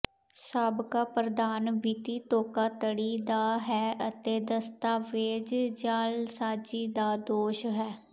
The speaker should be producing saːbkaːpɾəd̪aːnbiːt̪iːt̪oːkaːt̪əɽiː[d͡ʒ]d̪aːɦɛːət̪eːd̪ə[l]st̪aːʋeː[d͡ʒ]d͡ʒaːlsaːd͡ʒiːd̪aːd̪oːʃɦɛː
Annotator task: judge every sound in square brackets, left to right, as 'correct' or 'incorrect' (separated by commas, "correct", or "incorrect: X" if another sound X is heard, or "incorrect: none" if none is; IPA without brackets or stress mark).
incorrect: none, incorrect: none, correct